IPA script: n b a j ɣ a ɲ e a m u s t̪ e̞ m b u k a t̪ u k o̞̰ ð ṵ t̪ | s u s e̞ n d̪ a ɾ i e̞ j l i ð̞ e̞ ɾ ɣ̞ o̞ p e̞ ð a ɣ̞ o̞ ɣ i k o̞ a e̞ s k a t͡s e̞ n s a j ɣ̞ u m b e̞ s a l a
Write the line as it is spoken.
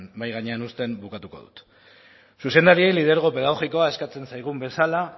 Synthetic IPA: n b a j ɣ a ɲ e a n u s t̪ e̞ m b u k a t̪ u k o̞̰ ð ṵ t̪ | s u s e̞ n d̪ a ɾ i e̞ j l i ð̞ e̞ ɾ ɣ̞ o̞ p e̞ ð a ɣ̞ o̞ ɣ i k o̞ a e̞ s k a t͡s e̞ n s a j ɣ̞ u m b e̞ s a l a